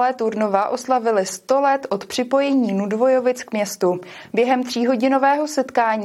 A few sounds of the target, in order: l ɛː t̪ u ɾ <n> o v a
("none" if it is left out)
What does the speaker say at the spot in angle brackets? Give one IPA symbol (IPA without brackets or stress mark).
n